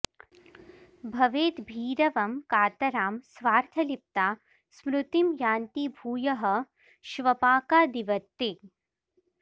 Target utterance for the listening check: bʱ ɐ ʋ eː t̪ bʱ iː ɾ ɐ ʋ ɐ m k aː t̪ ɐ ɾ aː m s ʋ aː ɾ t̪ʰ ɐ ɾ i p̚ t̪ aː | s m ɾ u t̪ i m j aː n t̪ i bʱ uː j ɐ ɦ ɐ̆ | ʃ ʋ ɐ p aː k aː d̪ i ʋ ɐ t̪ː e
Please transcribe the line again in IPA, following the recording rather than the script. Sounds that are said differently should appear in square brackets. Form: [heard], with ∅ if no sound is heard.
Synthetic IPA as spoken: bʱ ɐ ʋ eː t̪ bʱ iː ɾ ɐ ʋ ɐ m k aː t̪ ɐ ɾ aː m s ʋ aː ɾ t̪ʰ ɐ [l] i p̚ t̪ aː | s m ɾ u t̪ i m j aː n t̪ i bʱ uː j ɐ ɦ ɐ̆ | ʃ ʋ ɐ p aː k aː d̪ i ʋ ɐ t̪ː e

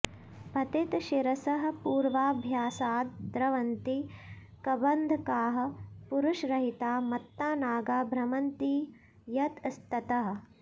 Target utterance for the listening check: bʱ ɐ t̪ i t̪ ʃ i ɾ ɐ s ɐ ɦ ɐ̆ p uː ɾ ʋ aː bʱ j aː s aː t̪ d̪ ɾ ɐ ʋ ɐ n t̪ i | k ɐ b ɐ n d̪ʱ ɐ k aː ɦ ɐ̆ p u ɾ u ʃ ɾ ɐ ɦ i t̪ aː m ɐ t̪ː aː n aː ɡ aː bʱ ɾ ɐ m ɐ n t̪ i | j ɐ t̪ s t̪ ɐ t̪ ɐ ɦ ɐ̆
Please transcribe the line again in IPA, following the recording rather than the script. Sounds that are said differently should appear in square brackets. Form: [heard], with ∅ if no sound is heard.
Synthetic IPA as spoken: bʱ ɐ t̪ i t̪ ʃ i ɾ ɐ s ɐ ɦ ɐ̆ p uː ɾ ʋ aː bʱ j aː s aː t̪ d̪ ɾ ɐ ʋ ɐ n t̪ i | k ɐ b ɐ n d̪ʱ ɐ k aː ɦ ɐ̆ p u ɾ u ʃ ɾ ɐ ɦ i t̪ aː m ɐ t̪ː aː n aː ɡ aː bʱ ɾ ɐ m ɐ n t̪ i | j ɐ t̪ s t̪ ɐ t̪ ɐ ɦ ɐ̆

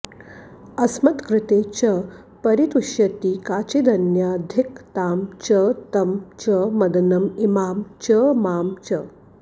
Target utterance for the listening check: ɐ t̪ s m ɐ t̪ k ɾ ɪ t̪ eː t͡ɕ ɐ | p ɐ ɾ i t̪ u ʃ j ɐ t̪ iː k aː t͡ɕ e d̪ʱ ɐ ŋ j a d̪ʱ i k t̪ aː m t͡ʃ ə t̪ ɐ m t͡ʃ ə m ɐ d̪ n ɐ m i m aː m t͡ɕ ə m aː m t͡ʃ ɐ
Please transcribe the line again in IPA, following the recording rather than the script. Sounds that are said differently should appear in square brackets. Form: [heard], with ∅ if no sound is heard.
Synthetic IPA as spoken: ɐ [∅] s m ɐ t̪ k ɾ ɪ t̪ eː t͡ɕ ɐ | p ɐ ɾ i t̪ u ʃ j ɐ t̪ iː k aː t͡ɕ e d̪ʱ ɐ [n] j a d̪ʱ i k t̪ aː m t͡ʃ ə t̪ ɐ m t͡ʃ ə m ɐ d̪ n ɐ m i m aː m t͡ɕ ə m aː m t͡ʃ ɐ

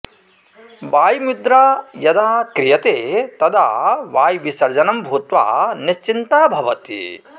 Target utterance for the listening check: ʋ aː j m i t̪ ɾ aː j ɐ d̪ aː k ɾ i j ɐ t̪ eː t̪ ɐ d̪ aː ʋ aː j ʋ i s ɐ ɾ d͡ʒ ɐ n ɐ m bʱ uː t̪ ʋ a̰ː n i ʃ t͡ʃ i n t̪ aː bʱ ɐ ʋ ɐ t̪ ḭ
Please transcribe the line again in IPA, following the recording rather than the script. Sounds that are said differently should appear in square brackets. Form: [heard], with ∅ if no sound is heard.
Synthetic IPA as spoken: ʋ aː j m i [d̪] ɾ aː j ɐ d̪ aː k ɾ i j ɐ t̪ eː t̪ ɐ d̪ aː ʋ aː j ʋ i s ɐ ɾ d͡ʒ ɐ n ɐ m bʱ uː t̪ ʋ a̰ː n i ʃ t͡ʃ i n t̪ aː bʱ ɐ ʋ ɐ t̪ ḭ

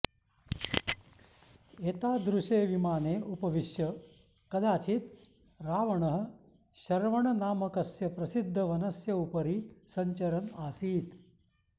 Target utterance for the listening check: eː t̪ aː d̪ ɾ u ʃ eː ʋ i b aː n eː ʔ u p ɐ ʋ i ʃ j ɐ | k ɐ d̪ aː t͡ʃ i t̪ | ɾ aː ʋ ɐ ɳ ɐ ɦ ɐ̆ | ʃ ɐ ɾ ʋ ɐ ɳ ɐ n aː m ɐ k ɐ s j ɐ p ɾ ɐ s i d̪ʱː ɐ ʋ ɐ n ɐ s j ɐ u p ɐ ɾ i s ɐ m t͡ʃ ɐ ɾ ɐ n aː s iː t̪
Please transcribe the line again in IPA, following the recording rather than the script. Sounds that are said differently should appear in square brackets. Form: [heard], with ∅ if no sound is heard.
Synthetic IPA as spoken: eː t̪ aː d̪ ɾ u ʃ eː ʋ i [m] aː n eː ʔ u p ɐ ʋ i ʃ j ɐ | k ɐ d̪ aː t͡ʃ i t̪ | ɾ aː ʋ ɐ ɳ ɐ ɦ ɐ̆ | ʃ ɐ ɾ ʋ ɐ ɳ ɐ n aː m ɐ k ɐ s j ɐ p ɾ ɐ s i d̪ʱː ɐ ʋ ɐ n ɐ s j ɐ u p ɐ ɾ i s ɐ [ɲ] t͡ʃ ɐ ɾ ɐ n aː s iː t̪

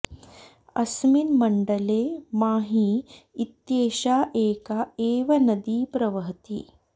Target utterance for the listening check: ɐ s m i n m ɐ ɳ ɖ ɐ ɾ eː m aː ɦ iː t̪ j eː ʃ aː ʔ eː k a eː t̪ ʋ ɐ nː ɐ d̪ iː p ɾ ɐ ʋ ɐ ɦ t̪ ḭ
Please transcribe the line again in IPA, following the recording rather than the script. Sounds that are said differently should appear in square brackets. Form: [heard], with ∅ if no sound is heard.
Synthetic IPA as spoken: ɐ s m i n m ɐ ɳ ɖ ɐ [l] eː m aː ɦ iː t̪ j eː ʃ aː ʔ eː k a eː [∅] ʋ ɐ [n] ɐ d̪ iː p ɾ ɐ ʋ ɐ ɦ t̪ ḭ

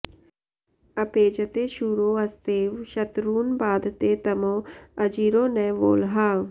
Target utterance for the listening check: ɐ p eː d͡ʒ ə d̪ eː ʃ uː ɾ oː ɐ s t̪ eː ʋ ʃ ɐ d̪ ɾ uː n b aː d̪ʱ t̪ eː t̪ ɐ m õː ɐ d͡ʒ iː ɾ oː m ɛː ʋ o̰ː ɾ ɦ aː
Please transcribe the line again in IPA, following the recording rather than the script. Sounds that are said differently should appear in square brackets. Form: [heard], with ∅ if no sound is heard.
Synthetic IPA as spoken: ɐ p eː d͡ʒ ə [t̪] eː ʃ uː ɾ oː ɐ s t̪ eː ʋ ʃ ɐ [t̪] ɾ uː n b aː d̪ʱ t̪ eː t̪ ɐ m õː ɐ d͡ʒ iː ɾ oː [n] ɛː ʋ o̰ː [l] ɦ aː

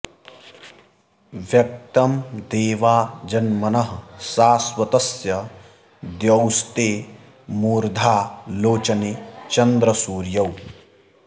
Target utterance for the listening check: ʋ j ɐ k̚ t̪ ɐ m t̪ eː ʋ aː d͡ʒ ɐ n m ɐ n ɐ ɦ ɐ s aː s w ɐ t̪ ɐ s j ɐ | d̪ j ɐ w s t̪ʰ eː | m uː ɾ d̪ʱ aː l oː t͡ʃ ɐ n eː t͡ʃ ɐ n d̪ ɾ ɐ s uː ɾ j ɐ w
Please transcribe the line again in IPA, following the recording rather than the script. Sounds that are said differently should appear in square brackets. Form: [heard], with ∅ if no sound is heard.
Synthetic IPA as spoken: ʋ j ɐ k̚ t̪ ɐ m [d̪] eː ʋ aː d͡ʒ ɐ n m ɐ n ɐ ɦ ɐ s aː s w ɐ t̪ ɐ s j ɐ | d̪ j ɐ w s [t̪] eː | m uː ɾ d̪ʱ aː l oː t͡ʃ ɐ n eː t͡ʃ ɐ n d̪ ɾ ɐ s uː ɾ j ɐ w

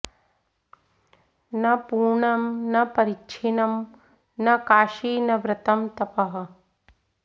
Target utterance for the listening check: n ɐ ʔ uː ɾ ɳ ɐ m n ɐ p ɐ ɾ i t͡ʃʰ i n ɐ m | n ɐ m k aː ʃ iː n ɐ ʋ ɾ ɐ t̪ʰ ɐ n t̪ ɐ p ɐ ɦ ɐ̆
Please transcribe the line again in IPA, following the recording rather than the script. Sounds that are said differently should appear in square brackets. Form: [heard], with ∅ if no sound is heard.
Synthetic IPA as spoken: n ɐ [p] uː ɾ ɳ ɐ m n ɐ p ɐ ɾ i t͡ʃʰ i n ɐ m | n ɐ [∅] k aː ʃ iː n ɐ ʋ ɾ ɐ [t̪] ɐ [m] t̪ ɐ p ɐ ɦ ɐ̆

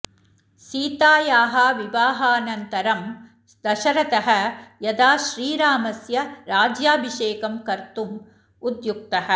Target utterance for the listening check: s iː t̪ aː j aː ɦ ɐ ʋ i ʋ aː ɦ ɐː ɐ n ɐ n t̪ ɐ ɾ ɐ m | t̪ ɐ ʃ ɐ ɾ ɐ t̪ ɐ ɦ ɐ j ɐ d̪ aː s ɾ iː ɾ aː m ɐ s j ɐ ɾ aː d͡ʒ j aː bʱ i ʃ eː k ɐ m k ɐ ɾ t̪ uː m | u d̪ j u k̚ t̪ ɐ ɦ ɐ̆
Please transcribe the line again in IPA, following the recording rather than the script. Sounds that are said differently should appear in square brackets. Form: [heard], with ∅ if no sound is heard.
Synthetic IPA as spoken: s iː t̪ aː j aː ɦ ɐ ʋ i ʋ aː ɦ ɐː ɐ n ɐ n t̪ ɐ ɾ ɐ m | [d̪] ɐ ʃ ɐ ɾ ɐ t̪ ɐ ɦ ɐ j ɐ d̪ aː [ʃ] ɾ iː ɾ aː m ɐ s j ɐ ɾ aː d͡ʒ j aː bʱ i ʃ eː k ɐ m k ɐ ɾ t̪ [u] m | u d̪ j u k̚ t̪ ɐ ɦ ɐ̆

